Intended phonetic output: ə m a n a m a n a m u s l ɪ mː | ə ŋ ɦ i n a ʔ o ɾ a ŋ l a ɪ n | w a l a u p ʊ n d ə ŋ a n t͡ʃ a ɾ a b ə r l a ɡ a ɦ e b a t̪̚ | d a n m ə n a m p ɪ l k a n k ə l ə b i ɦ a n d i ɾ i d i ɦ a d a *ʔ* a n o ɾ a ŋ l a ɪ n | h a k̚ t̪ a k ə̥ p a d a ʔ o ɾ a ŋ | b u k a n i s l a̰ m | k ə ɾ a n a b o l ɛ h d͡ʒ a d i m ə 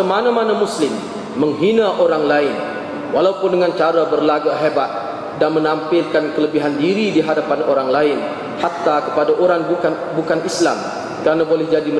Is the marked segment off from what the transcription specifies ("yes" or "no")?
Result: yes